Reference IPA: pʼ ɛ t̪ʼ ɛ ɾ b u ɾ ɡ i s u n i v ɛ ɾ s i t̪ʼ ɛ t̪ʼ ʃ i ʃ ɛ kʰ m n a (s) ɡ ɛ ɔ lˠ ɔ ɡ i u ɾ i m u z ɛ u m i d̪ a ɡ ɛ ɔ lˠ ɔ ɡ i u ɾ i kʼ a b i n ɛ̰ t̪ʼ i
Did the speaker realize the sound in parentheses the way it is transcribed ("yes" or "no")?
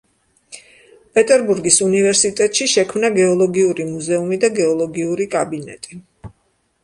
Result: no